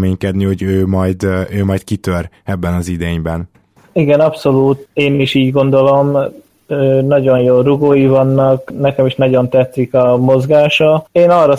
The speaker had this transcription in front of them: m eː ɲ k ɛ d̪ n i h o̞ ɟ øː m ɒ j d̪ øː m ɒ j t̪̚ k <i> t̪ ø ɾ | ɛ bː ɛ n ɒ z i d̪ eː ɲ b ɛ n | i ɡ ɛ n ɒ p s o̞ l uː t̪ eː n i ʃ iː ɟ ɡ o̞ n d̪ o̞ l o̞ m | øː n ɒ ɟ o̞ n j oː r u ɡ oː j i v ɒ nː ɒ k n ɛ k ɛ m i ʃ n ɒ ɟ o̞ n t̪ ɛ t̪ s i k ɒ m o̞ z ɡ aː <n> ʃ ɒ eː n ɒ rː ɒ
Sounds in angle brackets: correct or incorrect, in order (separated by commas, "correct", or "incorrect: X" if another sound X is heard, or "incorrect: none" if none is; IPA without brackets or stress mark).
correct, incorrect: none